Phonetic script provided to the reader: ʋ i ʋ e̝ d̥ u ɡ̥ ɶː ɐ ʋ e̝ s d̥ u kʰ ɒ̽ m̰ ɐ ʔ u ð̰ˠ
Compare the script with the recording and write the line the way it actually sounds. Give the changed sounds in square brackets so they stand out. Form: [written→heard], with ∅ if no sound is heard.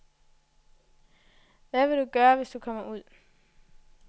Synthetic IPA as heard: ʋ [i→æ] ʋ e̝ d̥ u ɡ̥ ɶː ɐ ʋ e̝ s d̥ u kʰ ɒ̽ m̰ ɐ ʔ u ð̰ˠ